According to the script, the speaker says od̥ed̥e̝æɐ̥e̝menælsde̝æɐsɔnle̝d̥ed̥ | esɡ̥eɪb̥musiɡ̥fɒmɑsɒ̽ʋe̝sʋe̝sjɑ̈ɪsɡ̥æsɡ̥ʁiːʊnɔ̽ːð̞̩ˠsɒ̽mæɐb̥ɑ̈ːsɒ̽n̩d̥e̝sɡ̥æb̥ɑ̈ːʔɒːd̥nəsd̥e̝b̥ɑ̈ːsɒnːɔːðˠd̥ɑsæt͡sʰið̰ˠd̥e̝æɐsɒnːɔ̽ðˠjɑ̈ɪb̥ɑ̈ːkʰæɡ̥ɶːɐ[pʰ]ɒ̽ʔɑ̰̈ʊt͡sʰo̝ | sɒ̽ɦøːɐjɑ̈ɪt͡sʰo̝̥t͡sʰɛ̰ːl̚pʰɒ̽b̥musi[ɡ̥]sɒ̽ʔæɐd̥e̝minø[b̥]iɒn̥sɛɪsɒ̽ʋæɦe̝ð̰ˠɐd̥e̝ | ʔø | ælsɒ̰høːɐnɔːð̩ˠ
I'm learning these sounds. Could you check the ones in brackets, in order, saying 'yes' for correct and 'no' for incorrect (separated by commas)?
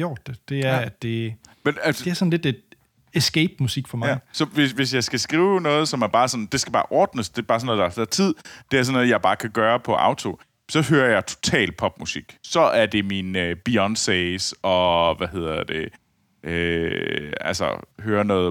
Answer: yes, yes, yes